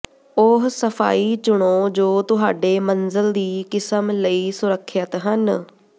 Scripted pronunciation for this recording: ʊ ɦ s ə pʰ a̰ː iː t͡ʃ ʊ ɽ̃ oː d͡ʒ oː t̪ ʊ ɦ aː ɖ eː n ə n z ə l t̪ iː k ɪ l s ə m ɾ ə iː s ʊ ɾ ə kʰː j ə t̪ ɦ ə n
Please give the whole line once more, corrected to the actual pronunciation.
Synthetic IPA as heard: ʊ ɦ s ə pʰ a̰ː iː t͡ʃ ʊ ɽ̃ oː d͡ʒ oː t̪ ʊ ɦ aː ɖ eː m ə n z ə l d̪ iː k ɪ s ə m l ə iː s ʊ ɾ ə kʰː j ə t̪ ɦ ə n